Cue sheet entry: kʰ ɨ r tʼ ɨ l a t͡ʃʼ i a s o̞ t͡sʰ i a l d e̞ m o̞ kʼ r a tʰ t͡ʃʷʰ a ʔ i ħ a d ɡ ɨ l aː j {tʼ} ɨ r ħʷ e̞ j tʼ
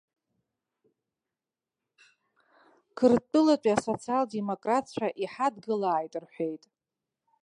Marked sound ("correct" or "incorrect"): correct